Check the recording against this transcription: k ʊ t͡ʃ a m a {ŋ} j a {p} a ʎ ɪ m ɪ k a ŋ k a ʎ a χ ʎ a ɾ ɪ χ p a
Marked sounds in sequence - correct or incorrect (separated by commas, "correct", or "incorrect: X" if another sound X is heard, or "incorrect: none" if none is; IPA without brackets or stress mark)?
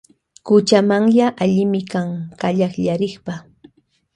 correct, incorrect: ʔ